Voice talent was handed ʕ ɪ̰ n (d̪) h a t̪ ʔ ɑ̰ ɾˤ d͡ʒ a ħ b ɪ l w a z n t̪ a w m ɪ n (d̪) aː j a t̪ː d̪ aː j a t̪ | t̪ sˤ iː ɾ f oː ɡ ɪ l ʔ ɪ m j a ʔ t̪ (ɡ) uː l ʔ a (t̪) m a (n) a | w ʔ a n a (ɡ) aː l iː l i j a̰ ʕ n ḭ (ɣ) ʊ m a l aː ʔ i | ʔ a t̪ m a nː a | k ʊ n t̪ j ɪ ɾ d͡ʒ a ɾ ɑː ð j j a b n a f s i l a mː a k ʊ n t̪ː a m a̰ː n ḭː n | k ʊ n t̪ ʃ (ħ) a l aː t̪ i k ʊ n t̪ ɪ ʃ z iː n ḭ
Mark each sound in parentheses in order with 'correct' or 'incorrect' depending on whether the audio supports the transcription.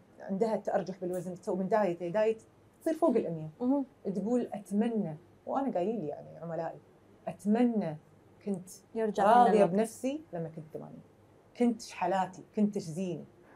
correct, correct, correct, correct, incorrect: nː, correct, incorrect: ʕ, correct

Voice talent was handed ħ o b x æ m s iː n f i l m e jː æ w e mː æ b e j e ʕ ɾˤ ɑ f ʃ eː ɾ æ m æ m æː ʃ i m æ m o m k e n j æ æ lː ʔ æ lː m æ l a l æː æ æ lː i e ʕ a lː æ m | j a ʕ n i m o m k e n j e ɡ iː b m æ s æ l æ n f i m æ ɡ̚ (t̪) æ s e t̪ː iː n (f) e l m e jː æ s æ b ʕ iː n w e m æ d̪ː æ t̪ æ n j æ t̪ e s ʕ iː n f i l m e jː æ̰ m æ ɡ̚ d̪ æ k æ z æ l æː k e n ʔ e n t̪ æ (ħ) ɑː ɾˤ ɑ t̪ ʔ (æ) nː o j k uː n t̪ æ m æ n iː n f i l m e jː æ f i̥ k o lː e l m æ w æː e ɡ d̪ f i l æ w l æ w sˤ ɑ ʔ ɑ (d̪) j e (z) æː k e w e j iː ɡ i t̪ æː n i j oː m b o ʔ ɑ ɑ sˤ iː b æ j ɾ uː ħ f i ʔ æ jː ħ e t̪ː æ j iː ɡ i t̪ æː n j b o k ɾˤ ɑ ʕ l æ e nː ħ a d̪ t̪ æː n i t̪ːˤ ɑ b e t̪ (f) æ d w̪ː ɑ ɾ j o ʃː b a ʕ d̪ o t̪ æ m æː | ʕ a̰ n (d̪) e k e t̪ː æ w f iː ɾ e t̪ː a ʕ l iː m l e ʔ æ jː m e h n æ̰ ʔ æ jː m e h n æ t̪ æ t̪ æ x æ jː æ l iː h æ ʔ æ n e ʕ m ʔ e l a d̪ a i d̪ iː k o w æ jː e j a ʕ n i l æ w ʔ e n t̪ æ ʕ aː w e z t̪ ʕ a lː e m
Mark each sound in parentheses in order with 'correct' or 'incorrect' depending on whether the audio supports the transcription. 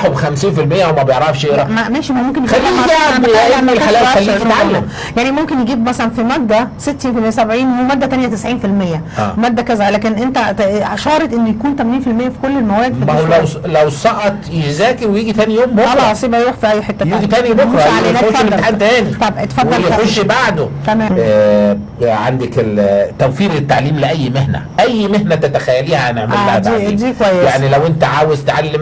incorrect: d̪, correct, incorrect: ʃ, incorrect: e, incorrect: t̪, correct, correct, correct

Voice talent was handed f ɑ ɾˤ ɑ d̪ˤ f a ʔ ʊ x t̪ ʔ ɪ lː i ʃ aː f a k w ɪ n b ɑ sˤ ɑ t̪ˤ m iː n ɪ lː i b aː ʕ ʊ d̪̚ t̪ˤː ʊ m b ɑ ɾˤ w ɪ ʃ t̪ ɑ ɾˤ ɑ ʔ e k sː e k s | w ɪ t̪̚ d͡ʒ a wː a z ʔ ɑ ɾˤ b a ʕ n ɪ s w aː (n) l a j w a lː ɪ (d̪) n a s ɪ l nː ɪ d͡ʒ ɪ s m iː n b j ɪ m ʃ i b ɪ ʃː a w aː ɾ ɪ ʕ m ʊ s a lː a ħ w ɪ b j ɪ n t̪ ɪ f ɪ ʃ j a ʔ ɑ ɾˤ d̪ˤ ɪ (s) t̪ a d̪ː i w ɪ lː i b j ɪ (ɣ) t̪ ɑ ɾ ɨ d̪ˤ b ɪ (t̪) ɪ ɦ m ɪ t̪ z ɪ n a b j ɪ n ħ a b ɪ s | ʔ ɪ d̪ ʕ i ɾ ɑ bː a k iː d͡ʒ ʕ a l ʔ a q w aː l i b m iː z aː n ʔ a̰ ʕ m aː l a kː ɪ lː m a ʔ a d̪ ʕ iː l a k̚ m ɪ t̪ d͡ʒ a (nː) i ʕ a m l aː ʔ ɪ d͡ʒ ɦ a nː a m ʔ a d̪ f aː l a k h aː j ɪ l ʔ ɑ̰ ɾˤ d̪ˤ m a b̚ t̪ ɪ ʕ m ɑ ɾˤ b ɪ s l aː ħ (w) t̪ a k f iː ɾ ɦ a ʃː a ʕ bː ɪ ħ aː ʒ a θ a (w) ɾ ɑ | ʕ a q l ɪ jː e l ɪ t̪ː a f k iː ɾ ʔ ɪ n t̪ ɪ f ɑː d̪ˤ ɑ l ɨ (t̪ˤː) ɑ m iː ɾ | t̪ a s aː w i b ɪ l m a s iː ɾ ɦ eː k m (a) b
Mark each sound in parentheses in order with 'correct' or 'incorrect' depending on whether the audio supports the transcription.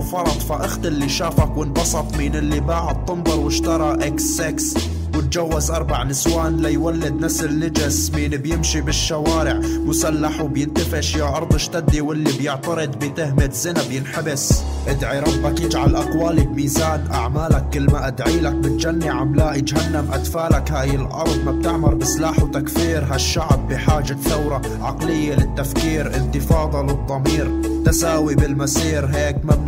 correct, correct, incorrect: ʃ, incorrect: ʕ, correct, correct, correct, correct, incorrect: d̪ˤː, correct

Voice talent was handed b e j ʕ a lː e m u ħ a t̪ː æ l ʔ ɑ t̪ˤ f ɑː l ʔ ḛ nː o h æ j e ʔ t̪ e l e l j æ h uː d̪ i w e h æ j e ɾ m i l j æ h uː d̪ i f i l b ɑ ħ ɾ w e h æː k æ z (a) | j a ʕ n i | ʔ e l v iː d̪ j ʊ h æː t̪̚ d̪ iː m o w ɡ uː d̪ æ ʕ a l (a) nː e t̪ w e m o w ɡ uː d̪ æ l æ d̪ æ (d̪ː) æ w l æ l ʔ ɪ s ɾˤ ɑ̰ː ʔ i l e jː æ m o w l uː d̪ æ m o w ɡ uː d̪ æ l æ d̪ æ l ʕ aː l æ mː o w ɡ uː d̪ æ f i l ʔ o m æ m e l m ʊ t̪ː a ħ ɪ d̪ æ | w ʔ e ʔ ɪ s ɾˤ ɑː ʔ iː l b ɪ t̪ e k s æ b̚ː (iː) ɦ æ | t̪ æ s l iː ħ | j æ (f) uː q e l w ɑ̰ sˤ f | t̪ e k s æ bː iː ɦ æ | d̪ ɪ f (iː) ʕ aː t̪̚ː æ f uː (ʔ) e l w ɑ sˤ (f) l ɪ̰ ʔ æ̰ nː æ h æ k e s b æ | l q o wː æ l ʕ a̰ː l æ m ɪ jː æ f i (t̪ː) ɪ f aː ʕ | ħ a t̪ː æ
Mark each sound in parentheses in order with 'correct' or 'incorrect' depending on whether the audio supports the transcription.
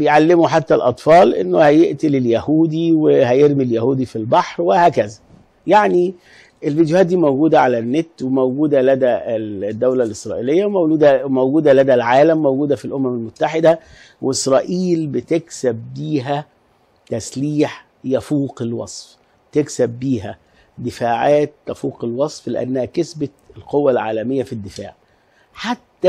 incorrect: æ, incorrect: æ, correct, correct, correct, incorrect: aː, incorrect: q, correct, incorrect: d̪ː

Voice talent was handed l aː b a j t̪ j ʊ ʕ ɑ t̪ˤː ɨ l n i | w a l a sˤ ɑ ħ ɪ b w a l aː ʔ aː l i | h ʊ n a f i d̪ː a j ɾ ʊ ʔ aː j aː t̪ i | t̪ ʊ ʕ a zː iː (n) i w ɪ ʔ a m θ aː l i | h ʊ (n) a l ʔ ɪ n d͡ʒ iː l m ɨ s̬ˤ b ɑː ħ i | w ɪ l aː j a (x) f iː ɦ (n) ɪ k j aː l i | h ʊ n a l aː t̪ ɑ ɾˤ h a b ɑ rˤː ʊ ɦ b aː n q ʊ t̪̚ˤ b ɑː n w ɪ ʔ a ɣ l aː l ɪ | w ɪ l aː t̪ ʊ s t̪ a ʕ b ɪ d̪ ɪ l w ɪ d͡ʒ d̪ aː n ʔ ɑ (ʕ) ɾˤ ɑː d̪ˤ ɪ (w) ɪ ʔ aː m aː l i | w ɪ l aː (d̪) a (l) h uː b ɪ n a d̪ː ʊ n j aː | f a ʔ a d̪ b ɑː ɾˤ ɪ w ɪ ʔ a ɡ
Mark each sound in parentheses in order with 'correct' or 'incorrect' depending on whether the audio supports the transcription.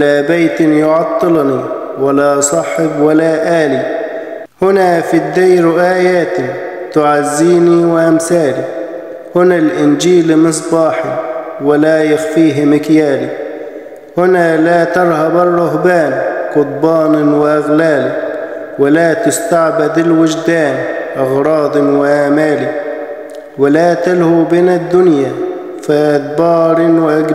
correct, correct, correct, incorrect: m, incorrect: ɣ, correct, incorrect: t̪, correct

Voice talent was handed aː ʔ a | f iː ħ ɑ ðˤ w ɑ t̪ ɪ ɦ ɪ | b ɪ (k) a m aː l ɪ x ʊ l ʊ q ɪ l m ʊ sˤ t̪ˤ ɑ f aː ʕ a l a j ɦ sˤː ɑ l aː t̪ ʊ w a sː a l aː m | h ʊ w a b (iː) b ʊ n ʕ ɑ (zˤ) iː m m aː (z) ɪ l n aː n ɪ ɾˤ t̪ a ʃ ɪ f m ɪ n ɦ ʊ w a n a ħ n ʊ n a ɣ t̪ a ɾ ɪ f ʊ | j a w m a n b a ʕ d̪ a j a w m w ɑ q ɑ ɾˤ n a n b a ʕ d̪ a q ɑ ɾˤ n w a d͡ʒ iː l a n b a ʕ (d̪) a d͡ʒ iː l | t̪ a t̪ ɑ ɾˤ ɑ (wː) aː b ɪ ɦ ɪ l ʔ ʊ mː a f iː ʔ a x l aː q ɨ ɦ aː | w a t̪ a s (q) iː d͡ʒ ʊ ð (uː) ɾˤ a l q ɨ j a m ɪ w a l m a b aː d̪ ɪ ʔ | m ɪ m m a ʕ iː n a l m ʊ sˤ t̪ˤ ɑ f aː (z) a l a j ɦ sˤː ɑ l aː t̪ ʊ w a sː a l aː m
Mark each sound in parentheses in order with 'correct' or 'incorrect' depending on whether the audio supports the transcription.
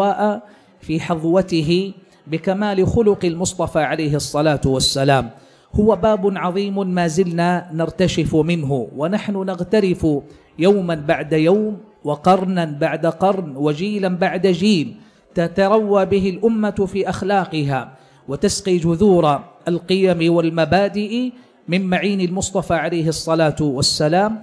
correct, incorrect: aː, incorrect: ðˤ, correct, correct, correct, correct, correct, incorrect: ʕ

